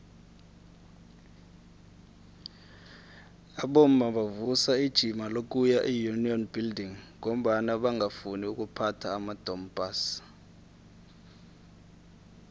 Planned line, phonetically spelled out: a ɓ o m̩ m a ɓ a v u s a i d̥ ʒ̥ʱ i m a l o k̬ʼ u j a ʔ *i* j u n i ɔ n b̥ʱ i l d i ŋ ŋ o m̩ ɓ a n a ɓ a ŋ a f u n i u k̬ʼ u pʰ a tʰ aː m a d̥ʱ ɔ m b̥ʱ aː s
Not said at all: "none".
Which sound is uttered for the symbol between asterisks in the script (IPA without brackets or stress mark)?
i